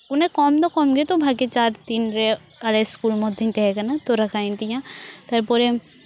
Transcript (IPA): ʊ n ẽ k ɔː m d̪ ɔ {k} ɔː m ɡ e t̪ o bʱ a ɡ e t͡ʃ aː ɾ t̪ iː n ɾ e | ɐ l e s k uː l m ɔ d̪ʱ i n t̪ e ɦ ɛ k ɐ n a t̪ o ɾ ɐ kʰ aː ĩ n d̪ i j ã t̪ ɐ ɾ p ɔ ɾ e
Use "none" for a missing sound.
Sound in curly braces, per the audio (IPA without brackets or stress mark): k